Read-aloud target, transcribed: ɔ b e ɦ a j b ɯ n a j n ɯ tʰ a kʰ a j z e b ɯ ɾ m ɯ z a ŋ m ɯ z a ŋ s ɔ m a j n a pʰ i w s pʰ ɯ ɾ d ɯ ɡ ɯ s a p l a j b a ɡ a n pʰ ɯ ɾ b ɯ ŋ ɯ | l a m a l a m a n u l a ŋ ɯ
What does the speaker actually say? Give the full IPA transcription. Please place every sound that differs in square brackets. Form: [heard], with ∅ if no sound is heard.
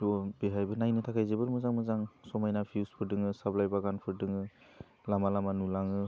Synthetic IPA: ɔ b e ɦ a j b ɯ n a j n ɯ tʰ a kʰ a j z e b ɯ ɾ m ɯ z a ŋ m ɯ z a ŋ s ɔ m a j n a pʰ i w s pʰ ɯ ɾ d ɯ [ŋ] ɯ s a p l a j b a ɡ a n pʰ ɯ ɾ [d] ɯ ŋ ɯ | l a m a l a m a n u l a ŋ ɯ